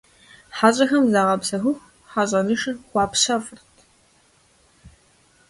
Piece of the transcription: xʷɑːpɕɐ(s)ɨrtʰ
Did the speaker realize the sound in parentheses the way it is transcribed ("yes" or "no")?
no